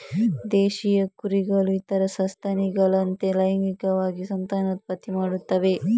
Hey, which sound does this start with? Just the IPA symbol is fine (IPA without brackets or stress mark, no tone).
d̪